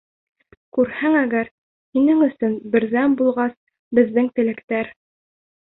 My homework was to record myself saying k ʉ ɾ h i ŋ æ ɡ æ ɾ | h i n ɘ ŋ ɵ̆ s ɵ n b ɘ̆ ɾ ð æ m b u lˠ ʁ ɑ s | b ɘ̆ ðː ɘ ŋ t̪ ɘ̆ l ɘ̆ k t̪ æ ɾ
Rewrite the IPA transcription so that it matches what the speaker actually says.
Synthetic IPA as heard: k ʉ ɾ h æ ŋ æ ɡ æ ɾ | h i n ɘ ŋ ɵ̆ s ɵ n b ɘ̆ ɾ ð æ m b u lˠ ʁ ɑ s | b ɘ̆ ðː ɘ ŋ t̪ ɘ̆ l ɘ̆ k t̪ æ ɾ